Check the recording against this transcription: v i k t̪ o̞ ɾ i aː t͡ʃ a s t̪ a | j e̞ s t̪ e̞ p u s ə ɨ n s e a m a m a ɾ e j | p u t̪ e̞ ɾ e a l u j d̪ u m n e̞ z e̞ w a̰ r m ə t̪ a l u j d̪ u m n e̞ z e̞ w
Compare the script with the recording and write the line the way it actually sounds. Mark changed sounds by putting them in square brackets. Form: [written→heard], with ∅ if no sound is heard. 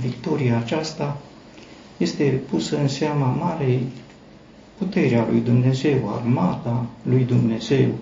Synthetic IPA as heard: v i k t̪ o̞ ɾ i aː t͡ʃ a s t̪ a | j e̞ s t̪ e̞ p u s ə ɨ n s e a m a m a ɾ e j | p u t̪ e̞ ɾ e a l u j d̪ u m n e̞ z e̞ w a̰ r m [ə→a] t̪ a l u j d̪ u m n e̞ z e̞ w